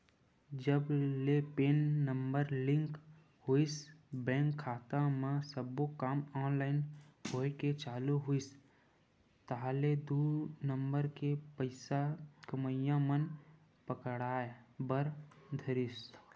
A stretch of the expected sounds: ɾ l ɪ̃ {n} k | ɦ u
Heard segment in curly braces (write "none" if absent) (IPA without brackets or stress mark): ŋ